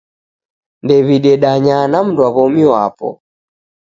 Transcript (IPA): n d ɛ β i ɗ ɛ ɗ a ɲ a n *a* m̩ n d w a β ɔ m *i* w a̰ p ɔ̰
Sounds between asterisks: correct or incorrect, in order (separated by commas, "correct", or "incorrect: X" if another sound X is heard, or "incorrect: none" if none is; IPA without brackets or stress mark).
correct, correct